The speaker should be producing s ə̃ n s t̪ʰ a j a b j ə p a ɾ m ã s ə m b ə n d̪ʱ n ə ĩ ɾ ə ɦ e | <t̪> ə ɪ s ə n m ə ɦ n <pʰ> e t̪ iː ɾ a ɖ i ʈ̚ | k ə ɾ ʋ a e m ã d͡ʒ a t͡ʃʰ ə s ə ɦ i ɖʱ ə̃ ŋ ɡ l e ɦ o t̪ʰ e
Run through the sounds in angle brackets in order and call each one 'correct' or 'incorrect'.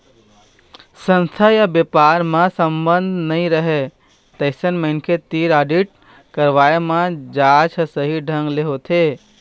correct, incorrect: kʰ

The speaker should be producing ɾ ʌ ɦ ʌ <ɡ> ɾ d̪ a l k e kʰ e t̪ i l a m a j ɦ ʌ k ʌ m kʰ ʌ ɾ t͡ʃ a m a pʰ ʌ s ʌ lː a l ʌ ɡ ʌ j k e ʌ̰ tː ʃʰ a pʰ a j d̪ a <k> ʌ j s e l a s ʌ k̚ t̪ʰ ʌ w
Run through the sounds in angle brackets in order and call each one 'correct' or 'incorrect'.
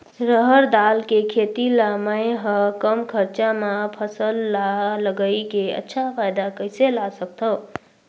incorrect: none, correct

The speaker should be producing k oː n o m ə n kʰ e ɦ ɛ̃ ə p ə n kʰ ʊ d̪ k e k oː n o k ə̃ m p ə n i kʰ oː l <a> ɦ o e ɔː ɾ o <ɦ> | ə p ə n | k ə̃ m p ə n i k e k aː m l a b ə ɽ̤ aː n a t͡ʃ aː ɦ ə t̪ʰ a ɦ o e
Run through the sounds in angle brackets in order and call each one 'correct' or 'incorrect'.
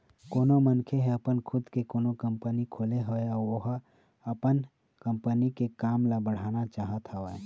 incorrect: e, correct

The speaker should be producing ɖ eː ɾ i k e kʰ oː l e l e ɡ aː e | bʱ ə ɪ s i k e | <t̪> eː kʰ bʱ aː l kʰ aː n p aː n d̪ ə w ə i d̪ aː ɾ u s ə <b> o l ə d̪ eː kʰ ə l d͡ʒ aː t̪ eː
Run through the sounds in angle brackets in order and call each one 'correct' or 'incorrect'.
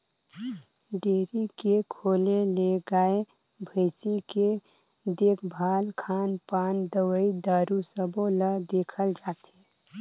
incorrect: d̪, correct

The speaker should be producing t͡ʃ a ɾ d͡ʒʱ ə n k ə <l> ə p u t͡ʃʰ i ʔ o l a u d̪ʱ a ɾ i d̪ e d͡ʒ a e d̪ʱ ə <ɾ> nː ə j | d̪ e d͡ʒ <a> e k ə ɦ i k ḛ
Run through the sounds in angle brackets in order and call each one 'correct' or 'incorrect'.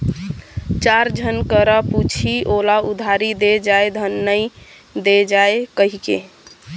incorrect: ɾ, incorrect: none, correct

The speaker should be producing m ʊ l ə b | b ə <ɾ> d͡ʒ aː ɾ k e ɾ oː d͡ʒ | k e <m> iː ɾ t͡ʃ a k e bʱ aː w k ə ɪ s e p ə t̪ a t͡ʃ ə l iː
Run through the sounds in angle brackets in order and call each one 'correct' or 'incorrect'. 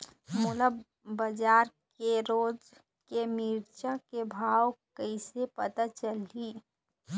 incorrect: none, correct

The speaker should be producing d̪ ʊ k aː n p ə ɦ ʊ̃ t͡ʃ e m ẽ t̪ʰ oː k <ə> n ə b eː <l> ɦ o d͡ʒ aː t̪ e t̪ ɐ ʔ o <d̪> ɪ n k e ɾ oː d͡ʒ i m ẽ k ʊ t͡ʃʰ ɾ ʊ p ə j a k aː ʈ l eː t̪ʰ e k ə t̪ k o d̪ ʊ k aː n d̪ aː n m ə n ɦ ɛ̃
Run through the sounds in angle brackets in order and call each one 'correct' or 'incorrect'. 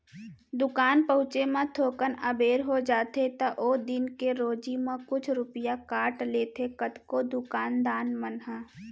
correct, incorrect: ɾ, correct

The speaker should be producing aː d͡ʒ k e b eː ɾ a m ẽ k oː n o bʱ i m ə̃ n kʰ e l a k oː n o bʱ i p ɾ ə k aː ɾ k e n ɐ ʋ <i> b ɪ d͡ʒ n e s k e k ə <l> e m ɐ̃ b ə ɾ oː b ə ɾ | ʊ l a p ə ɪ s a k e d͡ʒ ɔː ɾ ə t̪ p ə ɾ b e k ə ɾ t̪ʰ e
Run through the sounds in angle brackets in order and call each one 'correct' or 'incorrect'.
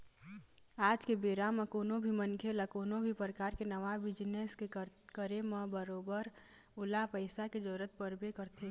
incorrect: a, incorrect: ɾ

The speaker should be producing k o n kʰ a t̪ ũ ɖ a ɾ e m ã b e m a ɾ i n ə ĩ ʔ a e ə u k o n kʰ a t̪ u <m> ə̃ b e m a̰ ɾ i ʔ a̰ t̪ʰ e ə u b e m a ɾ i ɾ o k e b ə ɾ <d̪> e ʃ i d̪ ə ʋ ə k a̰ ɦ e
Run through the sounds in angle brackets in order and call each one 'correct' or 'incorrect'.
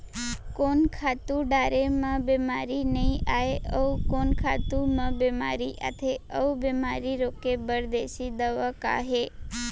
correct, correct

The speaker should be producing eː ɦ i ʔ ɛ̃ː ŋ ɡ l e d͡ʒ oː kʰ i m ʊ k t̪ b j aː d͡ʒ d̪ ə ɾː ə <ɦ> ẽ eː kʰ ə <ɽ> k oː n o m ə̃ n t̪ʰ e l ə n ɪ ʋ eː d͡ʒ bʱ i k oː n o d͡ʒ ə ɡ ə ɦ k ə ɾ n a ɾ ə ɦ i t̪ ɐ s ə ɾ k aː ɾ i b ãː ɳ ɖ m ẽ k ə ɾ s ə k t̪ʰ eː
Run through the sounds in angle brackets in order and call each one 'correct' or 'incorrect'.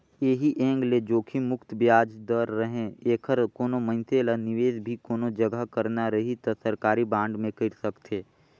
correct, incorrect: ɾ

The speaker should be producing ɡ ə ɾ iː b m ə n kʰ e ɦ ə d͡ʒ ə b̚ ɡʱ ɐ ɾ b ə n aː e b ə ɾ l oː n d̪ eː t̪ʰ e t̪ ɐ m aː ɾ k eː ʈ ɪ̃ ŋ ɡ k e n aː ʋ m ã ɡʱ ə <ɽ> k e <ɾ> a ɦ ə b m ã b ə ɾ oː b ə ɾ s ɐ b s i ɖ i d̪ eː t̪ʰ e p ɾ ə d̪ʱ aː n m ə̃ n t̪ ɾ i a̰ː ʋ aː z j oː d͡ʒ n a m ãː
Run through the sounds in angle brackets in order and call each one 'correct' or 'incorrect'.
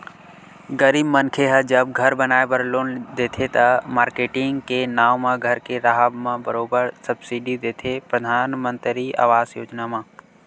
incorrect: ɾ, correct

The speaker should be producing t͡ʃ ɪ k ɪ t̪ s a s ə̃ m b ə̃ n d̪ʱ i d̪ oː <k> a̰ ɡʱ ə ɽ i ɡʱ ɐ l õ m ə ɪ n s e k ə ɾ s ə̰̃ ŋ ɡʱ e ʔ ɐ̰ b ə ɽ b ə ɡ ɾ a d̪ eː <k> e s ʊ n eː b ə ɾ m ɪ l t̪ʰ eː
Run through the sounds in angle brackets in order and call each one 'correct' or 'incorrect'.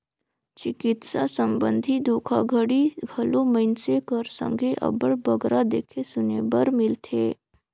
incorrect: kʰ, incorrect: kʰ

